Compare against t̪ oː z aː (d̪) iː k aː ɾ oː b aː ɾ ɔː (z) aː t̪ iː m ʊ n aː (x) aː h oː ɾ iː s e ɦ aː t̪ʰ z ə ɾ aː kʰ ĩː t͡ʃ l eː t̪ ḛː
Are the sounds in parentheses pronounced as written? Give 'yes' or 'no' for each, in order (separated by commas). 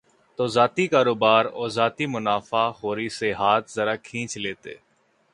no, yes, no